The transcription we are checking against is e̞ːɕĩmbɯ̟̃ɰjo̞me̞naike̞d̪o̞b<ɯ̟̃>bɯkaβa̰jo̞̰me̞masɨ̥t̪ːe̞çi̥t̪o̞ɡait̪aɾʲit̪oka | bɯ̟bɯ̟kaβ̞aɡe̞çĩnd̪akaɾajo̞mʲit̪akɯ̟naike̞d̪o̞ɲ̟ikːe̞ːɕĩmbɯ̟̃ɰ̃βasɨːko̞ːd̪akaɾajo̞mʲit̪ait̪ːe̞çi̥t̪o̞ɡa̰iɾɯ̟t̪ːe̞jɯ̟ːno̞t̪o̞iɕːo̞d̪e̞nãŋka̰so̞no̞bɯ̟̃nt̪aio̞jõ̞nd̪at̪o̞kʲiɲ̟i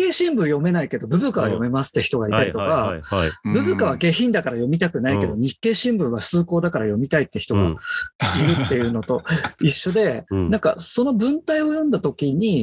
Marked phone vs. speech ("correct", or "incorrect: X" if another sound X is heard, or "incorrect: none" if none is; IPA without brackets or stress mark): incorrect: ɯ̟